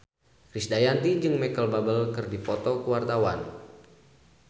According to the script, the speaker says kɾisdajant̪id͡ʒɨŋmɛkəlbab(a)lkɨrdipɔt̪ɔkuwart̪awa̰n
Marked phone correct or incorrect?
incorrect